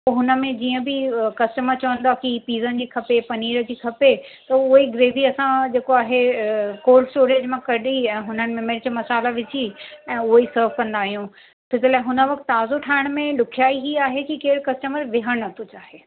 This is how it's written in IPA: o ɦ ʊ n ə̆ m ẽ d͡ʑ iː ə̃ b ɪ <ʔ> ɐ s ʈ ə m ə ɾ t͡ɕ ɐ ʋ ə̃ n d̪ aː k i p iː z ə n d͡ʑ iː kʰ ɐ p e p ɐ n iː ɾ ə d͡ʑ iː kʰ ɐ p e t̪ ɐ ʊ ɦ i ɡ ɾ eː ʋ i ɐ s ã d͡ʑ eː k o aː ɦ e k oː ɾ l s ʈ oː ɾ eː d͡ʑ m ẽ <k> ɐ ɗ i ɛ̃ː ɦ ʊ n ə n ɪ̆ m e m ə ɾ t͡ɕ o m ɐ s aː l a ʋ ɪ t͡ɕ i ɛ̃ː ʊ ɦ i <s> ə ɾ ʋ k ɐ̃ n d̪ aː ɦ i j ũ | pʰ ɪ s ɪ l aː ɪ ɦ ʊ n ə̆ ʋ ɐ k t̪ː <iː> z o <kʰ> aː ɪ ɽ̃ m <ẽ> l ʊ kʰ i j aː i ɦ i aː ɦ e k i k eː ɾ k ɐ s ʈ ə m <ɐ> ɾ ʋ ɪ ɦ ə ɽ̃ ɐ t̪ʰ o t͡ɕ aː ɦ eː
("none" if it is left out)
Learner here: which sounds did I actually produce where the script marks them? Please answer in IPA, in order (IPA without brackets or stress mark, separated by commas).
k, k, s, aː, ʈʰ, ẽ, ə